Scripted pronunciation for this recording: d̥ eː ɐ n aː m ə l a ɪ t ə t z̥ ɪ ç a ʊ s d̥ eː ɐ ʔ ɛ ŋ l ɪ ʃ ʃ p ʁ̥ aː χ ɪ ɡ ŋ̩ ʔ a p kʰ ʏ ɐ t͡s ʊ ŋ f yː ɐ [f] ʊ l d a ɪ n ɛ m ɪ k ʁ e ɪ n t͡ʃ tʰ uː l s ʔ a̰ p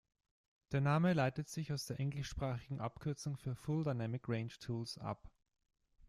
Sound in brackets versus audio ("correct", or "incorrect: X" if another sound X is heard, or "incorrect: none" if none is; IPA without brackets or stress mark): correct